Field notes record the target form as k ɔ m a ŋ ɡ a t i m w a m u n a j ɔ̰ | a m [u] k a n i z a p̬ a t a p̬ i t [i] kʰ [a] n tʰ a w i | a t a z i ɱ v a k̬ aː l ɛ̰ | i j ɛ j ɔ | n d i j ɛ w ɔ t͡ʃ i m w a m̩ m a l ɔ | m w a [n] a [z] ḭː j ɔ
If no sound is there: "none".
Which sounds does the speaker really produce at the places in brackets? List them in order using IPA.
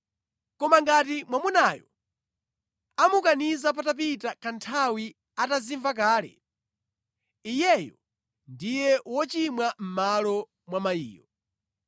u, a, a, m, none

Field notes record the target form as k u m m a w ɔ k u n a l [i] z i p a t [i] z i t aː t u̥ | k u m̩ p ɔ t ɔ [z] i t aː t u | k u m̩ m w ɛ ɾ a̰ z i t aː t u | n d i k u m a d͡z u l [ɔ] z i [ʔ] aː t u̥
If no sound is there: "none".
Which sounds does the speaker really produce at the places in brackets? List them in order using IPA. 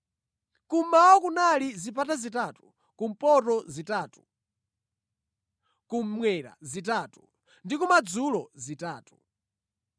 i, a, z, ɔ, t

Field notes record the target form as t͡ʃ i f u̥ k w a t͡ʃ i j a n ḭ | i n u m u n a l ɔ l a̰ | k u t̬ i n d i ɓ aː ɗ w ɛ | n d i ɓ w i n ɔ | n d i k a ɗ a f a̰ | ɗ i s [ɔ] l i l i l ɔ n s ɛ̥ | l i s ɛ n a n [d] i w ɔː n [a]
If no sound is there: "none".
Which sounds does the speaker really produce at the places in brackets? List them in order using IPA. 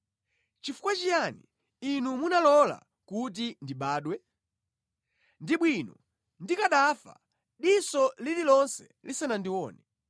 ɔ, d, ɛ

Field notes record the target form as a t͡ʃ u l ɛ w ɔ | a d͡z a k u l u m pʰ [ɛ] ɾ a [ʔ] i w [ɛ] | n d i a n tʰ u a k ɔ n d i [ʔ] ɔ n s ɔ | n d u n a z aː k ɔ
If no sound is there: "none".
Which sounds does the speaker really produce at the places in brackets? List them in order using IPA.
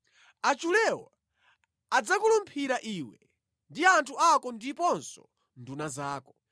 i, ʔ, ɛ, p

